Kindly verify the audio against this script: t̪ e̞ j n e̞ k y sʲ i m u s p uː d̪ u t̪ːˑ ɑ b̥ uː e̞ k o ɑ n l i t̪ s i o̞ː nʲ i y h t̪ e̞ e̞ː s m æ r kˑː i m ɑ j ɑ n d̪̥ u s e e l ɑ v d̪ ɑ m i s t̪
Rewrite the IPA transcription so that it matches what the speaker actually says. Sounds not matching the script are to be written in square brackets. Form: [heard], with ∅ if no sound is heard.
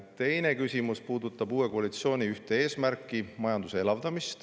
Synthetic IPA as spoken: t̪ e̞ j n e̞ k y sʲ i m u s p uː d̪ u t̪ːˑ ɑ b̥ uː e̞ k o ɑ [∅] l i t̪ s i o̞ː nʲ i y h t̪ e̞ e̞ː s m æ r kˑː i m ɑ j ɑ n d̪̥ u s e e l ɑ v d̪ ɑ m i s t̪